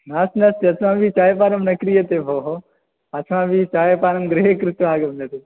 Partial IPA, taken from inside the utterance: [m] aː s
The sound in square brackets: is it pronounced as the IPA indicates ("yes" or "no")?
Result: no